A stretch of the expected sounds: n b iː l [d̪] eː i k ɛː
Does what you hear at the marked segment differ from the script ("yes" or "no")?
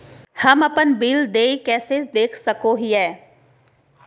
no